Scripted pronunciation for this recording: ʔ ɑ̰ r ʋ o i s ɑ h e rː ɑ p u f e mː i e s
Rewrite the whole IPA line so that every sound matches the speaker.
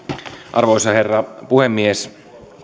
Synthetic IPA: ʔ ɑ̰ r ʋ o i s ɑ h e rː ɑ p u h e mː i e s